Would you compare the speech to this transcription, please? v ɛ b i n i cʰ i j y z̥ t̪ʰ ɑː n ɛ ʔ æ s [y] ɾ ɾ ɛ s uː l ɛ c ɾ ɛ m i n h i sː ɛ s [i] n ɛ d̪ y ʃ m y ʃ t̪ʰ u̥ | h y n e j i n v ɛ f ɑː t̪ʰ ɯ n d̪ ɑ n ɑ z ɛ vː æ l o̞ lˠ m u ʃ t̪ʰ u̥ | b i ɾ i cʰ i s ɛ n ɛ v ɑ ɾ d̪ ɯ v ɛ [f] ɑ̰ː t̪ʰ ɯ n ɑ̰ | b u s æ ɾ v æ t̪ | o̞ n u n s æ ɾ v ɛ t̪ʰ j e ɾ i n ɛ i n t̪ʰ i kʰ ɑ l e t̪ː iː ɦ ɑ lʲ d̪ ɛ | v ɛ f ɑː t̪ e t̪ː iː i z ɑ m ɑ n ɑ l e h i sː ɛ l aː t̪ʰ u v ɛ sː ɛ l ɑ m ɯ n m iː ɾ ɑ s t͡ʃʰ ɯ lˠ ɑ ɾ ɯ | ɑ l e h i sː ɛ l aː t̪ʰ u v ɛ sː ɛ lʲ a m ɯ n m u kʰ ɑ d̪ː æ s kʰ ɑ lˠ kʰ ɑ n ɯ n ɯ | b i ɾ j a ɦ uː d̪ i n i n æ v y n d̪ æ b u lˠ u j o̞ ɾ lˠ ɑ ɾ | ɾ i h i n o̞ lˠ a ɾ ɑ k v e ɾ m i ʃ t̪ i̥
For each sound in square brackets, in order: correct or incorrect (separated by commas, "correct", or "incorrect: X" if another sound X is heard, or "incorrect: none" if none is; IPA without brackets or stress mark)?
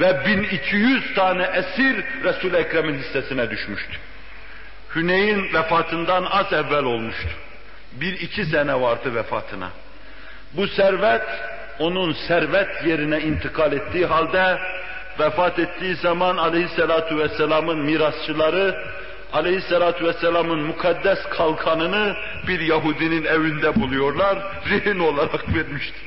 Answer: incorrect: i, correct, correct